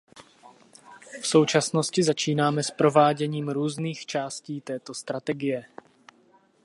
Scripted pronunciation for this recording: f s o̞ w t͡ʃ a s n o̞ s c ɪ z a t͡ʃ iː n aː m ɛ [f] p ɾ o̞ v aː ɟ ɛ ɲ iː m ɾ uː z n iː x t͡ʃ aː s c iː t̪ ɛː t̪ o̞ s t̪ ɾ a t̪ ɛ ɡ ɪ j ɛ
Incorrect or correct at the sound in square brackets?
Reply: incorrect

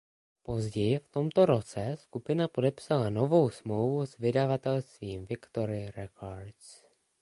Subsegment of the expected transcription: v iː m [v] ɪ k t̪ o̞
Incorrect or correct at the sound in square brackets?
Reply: correct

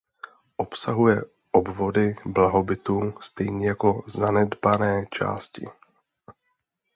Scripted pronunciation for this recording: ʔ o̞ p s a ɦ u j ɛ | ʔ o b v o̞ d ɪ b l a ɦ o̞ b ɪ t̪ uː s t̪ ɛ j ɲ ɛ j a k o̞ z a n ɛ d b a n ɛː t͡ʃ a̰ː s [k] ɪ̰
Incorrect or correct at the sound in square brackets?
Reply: incorrect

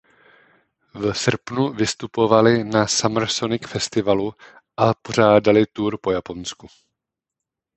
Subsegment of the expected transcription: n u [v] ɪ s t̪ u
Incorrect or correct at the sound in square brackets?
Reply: correct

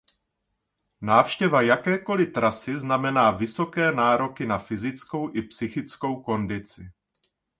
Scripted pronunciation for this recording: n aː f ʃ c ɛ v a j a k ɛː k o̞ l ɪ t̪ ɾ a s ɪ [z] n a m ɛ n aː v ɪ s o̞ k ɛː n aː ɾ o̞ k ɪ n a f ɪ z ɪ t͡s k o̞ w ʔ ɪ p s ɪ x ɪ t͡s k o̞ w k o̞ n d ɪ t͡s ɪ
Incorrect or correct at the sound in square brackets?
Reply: correct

